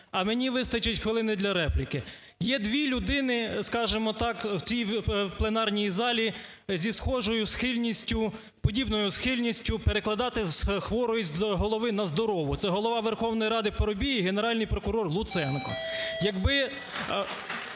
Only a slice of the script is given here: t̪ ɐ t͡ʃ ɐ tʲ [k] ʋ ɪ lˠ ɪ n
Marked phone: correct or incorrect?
incorrect